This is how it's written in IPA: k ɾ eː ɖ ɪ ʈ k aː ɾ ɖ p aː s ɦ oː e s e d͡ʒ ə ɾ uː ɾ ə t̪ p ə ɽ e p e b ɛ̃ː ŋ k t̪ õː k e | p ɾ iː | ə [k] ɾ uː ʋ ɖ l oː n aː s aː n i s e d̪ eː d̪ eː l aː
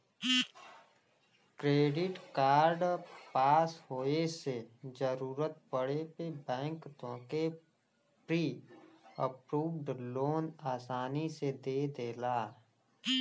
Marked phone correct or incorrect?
incorrect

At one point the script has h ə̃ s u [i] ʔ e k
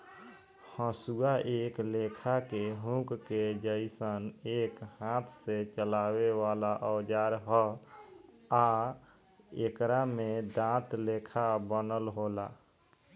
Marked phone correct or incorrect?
incorrect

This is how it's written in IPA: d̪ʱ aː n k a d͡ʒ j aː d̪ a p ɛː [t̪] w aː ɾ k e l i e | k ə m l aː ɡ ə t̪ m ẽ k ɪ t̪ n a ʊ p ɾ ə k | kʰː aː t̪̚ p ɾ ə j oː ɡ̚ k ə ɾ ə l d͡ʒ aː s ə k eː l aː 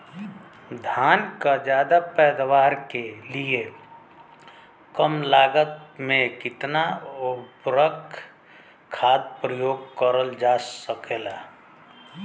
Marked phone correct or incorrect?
incorrect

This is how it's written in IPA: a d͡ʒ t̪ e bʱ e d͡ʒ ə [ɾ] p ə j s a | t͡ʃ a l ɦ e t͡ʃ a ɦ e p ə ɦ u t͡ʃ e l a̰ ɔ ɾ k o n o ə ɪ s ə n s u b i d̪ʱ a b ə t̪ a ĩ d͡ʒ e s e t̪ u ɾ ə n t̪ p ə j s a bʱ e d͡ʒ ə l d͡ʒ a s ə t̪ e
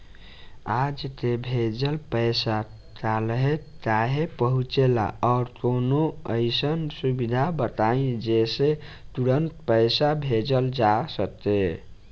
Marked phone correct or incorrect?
incorrect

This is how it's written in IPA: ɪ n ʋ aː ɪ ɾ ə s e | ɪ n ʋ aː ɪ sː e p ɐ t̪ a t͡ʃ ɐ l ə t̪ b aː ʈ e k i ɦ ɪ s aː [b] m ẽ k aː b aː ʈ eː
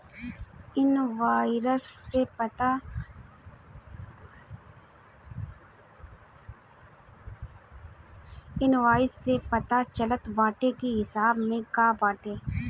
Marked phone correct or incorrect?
correct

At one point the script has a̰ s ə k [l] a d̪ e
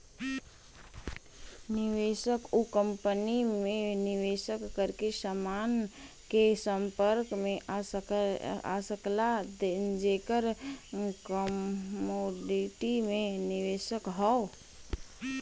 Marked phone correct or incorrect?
correct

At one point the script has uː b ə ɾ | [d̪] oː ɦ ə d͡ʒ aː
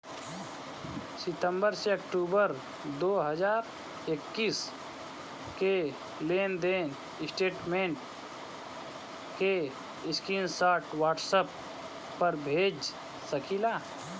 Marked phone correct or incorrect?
correct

